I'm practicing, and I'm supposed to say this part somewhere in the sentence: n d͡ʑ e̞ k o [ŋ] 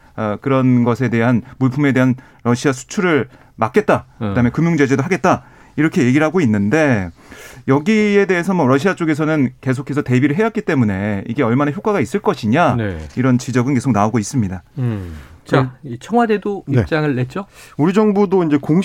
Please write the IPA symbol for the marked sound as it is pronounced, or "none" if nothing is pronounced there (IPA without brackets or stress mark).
ŋ